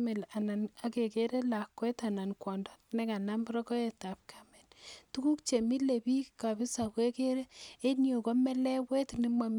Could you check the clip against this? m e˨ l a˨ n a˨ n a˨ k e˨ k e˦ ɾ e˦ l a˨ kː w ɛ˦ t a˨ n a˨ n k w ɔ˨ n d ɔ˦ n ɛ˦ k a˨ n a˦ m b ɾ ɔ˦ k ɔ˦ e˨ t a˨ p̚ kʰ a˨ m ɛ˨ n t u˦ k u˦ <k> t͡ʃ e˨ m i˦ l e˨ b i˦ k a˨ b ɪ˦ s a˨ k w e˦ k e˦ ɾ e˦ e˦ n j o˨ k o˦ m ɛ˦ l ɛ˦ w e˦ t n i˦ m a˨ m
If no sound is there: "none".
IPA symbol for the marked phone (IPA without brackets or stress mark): k